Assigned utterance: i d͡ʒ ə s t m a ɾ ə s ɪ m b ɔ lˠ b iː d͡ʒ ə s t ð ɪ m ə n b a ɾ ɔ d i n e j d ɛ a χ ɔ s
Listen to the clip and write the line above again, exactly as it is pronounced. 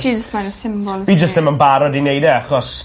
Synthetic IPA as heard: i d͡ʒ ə s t m a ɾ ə s ɪ m b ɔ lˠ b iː d͡ʒ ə s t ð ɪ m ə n b a ɾ ɔ d i n e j d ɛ a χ ɔ s